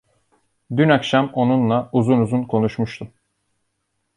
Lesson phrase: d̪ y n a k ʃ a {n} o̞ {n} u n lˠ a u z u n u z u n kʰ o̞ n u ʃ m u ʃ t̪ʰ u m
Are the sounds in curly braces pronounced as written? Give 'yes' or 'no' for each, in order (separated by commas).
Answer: no, yes